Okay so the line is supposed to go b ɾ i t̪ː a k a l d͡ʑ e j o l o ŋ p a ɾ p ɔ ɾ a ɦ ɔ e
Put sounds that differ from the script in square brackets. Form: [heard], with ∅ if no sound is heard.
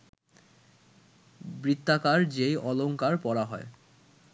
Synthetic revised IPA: b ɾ i t̪ː a k a [ɾ] d͡ʑ e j [ɔ] l o ŋ [k] a ɾ p ɔ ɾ a ɦ ɔ e